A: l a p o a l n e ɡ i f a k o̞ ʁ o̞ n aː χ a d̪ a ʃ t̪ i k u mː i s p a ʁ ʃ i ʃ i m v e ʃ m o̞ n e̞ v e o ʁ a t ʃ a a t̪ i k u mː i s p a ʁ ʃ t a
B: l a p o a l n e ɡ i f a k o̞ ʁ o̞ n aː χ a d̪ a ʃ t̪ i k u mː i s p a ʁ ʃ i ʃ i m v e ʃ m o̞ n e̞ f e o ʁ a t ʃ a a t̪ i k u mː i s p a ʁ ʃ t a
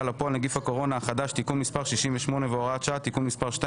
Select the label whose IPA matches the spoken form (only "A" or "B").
A